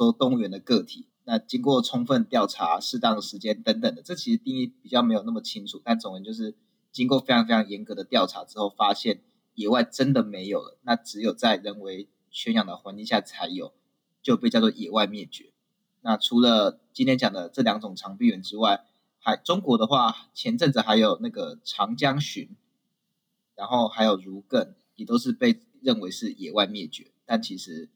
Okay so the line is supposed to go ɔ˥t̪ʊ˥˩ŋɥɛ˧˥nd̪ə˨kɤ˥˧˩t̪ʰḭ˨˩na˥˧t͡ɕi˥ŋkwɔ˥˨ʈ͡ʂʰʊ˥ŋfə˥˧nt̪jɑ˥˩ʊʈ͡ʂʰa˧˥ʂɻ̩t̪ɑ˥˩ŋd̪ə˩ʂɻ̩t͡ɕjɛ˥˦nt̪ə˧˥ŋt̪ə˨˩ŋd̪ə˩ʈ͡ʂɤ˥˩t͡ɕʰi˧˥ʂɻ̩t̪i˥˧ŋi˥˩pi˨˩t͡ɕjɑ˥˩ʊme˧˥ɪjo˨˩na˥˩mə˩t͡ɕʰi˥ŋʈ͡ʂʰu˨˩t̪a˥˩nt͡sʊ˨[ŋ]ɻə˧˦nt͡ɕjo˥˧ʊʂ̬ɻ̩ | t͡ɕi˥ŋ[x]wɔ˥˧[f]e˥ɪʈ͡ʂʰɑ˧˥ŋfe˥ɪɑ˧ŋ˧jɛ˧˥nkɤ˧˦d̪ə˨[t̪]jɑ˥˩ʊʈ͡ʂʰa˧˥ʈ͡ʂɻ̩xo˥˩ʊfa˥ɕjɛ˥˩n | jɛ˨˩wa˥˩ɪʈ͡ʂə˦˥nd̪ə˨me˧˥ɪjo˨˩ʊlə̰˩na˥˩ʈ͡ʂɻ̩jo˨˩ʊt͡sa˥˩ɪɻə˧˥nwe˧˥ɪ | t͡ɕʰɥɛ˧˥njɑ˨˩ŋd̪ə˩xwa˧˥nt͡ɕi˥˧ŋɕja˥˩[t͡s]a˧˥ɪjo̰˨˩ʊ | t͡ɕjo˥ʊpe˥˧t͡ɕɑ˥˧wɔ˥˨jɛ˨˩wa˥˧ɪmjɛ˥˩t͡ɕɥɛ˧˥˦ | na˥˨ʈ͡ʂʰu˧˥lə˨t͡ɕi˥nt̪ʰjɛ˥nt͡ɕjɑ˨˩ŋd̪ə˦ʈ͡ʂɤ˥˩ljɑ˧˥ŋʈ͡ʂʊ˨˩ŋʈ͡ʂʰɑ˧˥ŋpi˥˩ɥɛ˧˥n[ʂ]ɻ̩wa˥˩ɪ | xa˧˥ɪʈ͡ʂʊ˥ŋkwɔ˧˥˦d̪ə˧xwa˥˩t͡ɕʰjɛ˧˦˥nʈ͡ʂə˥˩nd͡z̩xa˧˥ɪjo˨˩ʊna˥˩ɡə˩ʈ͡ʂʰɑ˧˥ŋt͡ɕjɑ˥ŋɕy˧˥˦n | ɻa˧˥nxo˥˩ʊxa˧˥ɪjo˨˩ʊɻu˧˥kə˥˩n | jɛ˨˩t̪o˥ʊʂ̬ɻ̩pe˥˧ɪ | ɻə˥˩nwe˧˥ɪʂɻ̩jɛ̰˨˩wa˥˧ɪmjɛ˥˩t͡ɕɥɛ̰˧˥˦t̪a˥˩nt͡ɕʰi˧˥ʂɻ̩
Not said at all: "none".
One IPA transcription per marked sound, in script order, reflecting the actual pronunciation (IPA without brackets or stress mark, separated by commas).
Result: ŋ, k, f, t̪, t͡sʰ, ʈ͡ʂ